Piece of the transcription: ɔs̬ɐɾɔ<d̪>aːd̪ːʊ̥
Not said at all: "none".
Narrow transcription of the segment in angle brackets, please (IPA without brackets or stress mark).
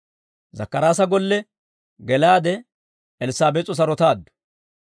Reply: t̪